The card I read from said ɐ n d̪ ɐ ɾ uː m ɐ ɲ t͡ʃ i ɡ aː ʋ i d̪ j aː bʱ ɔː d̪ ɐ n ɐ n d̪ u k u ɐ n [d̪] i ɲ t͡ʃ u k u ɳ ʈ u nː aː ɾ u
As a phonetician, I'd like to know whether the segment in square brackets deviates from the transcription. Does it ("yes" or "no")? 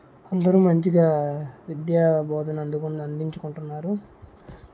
no